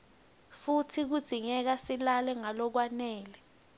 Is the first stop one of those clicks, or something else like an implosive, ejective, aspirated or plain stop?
aspirated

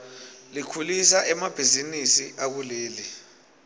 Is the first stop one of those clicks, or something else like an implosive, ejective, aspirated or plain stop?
aspirated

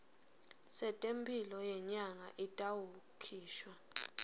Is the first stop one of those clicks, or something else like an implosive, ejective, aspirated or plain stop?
ejective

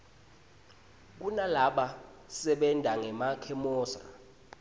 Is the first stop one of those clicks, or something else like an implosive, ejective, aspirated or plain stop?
plain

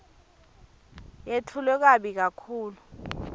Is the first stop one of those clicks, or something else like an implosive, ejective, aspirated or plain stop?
aspirated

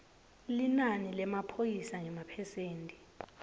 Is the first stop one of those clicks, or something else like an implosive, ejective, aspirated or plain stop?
aspirated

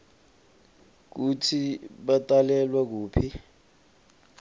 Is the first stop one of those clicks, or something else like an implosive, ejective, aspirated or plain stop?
plain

